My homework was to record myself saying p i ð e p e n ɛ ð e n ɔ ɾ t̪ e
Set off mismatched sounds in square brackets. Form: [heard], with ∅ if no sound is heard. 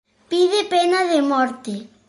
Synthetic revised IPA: p i ð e p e n [a] ð e [m] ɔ ɾ t̪ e